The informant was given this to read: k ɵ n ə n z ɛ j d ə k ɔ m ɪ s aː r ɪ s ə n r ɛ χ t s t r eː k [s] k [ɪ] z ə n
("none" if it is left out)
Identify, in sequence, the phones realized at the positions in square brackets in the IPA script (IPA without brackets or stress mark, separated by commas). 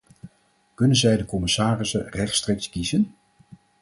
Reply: s, i